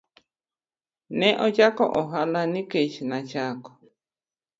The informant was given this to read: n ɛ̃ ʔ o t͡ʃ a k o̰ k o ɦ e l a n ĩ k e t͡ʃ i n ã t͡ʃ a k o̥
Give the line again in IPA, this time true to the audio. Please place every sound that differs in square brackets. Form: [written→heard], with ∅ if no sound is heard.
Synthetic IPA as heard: n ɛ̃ ʔ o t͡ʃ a k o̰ [k→ʔ] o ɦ [e→a] l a n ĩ k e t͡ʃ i n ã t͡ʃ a k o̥